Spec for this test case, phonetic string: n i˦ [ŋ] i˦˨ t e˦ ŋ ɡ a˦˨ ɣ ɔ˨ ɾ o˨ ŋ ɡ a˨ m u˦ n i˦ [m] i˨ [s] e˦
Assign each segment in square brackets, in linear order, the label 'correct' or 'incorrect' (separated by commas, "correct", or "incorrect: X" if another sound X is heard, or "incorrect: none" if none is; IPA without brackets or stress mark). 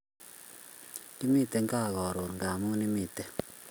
incorrect: m, correct, incorrect: t